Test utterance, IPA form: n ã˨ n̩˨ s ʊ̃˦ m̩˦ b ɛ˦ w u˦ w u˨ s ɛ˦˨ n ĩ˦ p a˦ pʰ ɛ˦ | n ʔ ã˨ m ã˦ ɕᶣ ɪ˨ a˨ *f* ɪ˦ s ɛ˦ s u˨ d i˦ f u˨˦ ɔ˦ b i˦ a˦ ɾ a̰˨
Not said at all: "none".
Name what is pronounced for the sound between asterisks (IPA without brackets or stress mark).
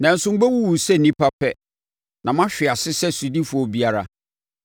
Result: s